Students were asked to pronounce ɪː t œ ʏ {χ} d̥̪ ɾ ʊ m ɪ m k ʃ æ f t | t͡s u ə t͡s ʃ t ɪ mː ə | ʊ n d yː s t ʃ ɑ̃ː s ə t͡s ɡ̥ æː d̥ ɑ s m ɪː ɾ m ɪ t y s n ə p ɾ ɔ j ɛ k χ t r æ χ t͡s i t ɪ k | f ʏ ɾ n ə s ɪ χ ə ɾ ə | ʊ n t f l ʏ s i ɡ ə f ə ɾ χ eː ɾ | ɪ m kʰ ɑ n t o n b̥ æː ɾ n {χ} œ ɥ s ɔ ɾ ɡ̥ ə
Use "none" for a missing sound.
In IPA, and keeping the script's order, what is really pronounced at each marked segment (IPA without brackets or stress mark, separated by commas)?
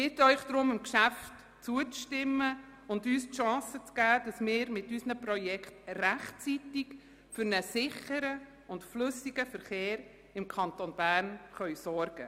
χ, χ